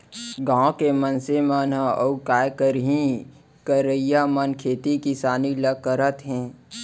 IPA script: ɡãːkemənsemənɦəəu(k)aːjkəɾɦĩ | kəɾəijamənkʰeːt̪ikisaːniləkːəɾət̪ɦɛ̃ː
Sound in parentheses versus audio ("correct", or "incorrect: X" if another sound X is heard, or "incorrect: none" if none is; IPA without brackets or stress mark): correct